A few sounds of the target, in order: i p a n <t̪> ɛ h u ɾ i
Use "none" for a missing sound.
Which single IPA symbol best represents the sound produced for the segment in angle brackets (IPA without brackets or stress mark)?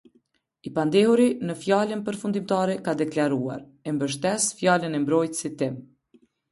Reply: d̪